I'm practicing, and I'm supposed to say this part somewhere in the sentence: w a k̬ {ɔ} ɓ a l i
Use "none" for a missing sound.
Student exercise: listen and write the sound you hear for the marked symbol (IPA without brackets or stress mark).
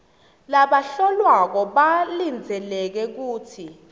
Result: ɔ